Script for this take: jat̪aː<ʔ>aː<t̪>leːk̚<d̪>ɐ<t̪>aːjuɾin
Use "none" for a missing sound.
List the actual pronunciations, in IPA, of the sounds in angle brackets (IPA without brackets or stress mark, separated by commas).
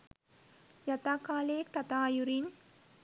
k, none, t̪, t̪